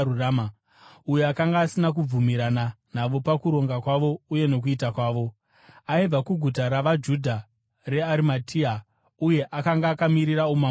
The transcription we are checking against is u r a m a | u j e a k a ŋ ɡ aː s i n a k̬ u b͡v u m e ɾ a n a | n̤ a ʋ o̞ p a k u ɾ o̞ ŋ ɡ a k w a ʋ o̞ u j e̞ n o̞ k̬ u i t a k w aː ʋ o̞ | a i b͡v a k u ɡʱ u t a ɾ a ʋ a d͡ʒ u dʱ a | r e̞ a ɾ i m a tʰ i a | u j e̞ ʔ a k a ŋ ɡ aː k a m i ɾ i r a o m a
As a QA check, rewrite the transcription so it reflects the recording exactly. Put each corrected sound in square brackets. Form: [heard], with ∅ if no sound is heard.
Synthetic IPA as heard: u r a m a | u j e a k a ŋ ɡ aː s i n a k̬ u b͡v u m [i] ɾ a n a | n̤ a ʋ o̞ p a k u ɾ o̞ ŋ ɡ a k w a ʋ o̞ u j e̞ n o̞ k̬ u i t a k w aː ʋ o̞ | a i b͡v a k u ɡʱ u t a ɾ a ʋ a d͡ʒ u dʱ a | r e̞ a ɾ i m a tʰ i a | u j e̞ ʔ a k a ŋ ɡ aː k a m i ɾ i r a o m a